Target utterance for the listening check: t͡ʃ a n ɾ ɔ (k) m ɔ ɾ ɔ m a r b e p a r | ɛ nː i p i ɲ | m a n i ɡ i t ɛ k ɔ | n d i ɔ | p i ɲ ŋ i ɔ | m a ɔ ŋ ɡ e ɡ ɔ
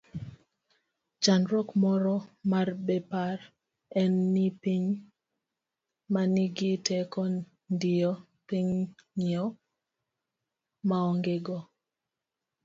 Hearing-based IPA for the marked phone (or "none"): k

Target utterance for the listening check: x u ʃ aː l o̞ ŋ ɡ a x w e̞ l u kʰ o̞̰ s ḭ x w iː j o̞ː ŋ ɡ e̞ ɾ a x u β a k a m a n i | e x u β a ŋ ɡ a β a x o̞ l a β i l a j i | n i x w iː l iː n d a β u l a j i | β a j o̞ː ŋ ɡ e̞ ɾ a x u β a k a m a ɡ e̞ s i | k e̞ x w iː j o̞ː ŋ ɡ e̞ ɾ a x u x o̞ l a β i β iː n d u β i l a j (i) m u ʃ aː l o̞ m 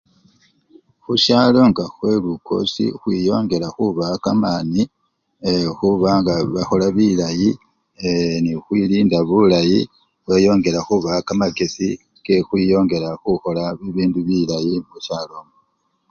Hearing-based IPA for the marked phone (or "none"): i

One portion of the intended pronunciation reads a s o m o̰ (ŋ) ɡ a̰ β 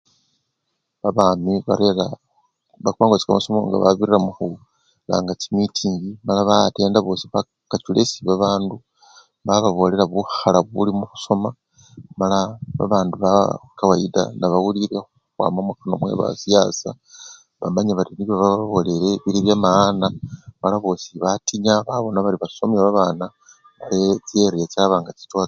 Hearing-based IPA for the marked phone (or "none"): ŋ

